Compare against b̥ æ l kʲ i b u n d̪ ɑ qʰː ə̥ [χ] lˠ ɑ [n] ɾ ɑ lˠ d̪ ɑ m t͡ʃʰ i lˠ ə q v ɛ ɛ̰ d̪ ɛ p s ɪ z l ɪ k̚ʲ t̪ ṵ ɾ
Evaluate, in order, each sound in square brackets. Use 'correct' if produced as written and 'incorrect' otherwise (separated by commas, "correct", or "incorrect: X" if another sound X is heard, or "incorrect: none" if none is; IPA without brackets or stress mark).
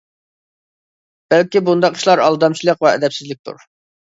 incorrect: ʃ, incorrect: none